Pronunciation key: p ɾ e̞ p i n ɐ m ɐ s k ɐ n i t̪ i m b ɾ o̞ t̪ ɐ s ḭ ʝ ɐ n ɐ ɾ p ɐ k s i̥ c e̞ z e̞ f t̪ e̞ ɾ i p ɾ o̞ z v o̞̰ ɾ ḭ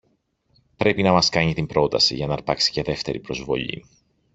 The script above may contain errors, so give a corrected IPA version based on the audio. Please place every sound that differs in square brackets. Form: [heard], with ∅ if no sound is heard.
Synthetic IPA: p ɾ e̞ p i n ɐ m ɐ s k ɐ [ɲ] i t̪ i m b ɾ o̞ t̪ ɐ s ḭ ʝ ɐ n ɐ ɾ p ɐ k s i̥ c e̞ [ð] e̞ f t̪ e̞ ɾ i p ɾ o̞ z v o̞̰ [ʎ] ḭ